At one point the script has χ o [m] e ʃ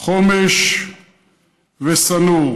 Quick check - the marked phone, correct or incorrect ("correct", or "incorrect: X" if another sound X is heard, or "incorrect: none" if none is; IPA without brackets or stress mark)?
correct